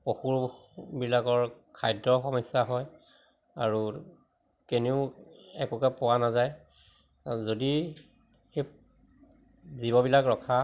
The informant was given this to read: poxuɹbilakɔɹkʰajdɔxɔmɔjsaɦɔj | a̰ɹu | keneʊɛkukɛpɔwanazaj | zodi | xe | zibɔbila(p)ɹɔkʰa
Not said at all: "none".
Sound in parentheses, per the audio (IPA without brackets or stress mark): k